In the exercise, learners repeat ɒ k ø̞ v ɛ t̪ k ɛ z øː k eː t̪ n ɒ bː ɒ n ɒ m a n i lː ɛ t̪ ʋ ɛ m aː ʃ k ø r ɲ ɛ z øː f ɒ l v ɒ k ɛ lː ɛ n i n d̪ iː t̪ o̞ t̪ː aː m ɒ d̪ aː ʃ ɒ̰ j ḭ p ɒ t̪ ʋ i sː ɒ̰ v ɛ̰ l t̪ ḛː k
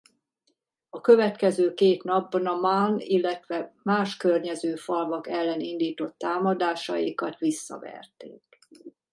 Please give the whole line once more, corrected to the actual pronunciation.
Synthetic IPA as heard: ɒ k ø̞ v ɛ t̪ k ɛ z øː k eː t̪ n ɒ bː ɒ n ɒ m a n i lː ɛ t̪ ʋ ɛ m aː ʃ k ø r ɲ ɛ z øː f ɒ l v ɒ k ɛ lː ɛ n i n d̪ iː t̪ o̞ t̪ː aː m ɒ d̪ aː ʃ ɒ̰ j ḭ k ɒ t̪ ʋ i sː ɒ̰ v ɛ̰ r t̪ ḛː k